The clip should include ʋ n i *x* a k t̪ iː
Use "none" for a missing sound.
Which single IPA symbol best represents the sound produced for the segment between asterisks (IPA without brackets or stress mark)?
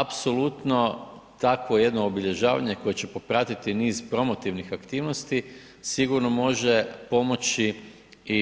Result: x